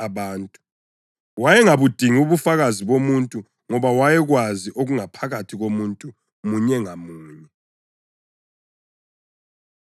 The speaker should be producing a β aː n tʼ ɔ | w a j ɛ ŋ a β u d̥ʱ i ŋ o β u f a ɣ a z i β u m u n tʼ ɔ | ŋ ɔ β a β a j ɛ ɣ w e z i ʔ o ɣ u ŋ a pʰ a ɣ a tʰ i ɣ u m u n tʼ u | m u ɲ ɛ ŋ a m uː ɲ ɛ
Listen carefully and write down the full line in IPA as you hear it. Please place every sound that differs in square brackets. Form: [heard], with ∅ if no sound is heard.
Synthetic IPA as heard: a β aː n tʼ [u] | w a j ɛ ŋ a β u d̥ʱ i ŋ [u] β u f a ɣ a z i β [o] m u n tʼ [u] | ŋ ɔ β a [w] a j ɛ ɣ w [a] z i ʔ o ɣ u ŋ a pʰ a ɣ a tʰ i ɣ [o] m u n tʼ u | m u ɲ ɛ ŋ a m uː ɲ ɛ